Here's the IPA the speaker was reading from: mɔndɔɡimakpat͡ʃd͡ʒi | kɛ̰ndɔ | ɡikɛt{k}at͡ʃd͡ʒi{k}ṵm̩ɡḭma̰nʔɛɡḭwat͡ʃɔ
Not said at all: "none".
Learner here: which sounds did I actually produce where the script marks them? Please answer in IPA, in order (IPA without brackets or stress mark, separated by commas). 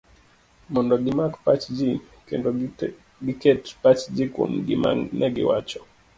p, k